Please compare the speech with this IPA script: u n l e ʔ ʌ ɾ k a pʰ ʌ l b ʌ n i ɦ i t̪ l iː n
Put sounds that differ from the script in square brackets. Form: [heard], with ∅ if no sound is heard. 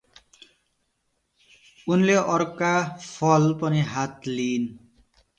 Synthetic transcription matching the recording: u n l e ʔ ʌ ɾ k a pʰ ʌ l [p] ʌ n i ɦ [a] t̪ l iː n